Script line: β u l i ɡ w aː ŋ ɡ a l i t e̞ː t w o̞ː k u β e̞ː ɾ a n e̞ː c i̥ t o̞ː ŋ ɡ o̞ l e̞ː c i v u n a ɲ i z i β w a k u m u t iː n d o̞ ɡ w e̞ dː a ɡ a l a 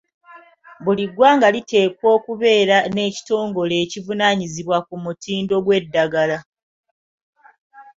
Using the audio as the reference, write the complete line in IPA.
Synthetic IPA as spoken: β u l i ɡ w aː ŋ ɡ a l i t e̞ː k w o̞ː k u β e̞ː ɾ a n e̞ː c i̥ t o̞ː ŋ ɡ o̞ l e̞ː c i v u n a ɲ i z i β w a k u m u t iː n d o̞ ɡ w e̞ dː a ɡ a l a